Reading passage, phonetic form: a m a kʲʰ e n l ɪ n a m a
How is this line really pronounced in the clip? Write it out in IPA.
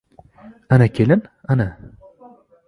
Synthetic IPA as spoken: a n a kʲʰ e l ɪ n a n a